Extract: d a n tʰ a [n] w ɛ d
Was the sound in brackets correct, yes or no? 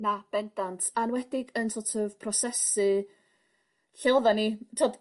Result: yes